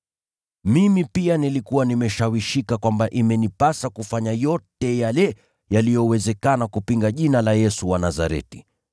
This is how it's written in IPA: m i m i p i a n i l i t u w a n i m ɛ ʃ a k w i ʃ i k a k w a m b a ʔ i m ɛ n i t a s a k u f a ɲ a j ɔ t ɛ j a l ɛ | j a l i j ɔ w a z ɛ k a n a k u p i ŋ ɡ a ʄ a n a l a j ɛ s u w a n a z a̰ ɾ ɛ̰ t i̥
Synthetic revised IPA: m i m i p i a n i l i k u w a n i m ɛ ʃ a w i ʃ i k a k w a m b a ʔ i m ɛ n i p a s a k u f a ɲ a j ɔ t ɛ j a l ɛ | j a l i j ɔ w ɛ z ɛ k a n a k u p i ŋ ɡ a ʄ i n a l a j ɛ s u w a n a z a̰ ɾ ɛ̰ t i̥